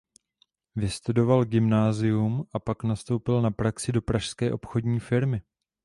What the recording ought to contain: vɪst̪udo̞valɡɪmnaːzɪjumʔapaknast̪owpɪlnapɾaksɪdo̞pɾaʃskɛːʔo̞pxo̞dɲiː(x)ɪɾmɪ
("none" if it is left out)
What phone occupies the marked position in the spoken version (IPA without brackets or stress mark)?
f